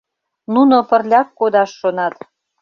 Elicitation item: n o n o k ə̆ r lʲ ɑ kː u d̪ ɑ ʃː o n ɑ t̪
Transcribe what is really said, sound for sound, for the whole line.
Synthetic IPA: n u n o p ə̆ r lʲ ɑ kː o d̪ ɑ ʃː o n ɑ t̪